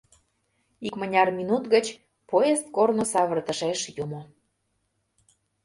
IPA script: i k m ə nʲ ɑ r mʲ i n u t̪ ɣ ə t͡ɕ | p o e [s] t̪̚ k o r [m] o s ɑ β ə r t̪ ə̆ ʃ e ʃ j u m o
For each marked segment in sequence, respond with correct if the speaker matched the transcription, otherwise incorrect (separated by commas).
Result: correct, incorrect